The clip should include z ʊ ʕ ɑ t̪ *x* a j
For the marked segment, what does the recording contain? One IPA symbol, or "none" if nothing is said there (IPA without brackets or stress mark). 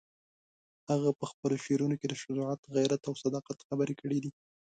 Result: ɣ